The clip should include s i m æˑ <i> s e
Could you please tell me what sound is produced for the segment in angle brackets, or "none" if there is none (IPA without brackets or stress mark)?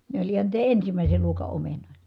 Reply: i